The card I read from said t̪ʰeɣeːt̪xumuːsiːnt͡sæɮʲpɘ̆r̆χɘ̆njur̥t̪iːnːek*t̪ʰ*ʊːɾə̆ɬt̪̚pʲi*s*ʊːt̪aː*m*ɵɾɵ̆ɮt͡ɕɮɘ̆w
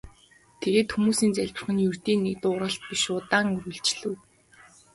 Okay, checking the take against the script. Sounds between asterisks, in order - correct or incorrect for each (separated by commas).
incorrect, incorrect, incorrect